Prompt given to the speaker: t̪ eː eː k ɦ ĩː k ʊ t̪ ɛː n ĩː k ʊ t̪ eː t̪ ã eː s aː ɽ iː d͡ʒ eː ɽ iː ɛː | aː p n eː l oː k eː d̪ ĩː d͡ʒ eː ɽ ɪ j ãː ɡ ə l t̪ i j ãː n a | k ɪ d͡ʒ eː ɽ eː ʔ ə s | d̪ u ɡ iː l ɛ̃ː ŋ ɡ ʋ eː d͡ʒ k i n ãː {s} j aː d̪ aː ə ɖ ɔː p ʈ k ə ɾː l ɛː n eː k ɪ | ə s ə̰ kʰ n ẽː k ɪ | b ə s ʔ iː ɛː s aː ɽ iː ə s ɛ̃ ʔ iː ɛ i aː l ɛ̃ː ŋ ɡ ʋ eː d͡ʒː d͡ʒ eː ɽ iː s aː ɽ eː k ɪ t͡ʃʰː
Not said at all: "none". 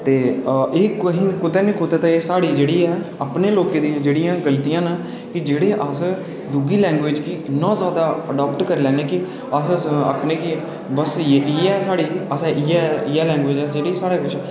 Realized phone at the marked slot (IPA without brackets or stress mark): z